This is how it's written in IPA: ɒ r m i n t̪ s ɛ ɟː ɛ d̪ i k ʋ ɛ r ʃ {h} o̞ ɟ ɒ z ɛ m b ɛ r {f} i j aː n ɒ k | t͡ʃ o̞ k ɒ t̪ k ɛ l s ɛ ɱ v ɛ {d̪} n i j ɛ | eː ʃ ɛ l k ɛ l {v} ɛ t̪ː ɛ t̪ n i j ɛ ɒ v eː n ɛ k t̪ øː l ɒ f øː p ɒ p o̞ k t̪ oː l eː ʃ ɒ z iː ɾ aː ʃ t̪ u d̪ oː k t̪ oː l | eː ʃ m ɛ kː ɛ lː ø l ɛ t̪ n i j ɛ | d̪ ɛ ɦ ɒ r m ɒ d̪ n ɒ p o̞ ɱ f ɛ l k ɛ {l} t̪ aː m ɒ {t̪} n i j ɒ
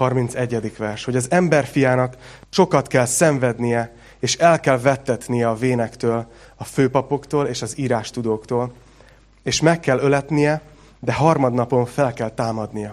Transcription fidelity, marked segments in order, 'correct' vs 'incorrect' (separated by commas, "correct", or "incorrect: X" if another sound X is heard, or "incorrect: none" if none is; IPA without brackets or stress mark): correct, correct, correct, correct, correct, incorrect: d̪